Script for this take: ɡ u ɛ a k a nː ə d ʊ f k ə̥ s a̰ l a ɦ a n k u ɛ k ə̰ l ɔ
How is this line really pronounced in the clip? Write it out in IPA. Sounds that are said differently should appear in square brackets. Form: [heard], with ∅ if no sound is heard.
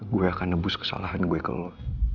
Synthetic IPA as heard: ɡ u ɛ a k a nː ə [b] ʊ [s] k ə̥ s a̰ l a ɦ a n [ɡ] u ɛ k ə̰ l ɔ